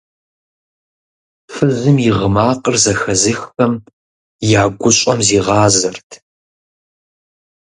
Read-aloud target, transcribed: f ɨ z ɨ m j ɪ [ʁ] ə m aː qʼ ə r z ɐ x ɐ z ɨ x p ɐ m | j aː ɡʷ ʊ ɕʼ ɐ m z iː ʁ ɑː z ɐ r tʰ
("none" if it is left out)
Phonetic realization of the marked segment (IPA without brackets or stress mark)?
ʁ